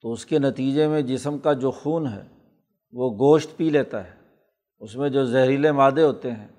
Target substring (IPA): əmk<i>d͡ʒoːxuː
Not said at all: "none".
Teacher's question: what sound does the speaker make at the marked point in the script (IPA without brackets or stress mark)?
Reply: a